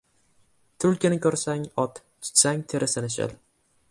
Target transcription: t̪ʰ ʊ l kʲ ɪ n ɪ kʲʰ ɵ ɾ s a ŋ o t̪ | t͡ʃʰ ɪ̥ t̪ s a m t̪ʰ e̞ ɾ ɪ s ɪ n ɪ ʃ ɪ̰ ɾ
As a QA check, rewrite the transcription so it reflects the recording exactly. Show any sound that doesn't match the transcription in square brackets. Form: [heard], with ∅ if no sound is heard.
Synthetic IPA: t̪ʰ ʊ l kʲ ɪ n ɪ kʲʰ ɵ ɾ s a ŋ [ɒ] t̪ | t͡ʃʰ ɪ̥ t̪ s a [ŋ] t̪ʰ e̞ ɾ ɪ s ɪ n ɪ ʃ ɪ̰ [l]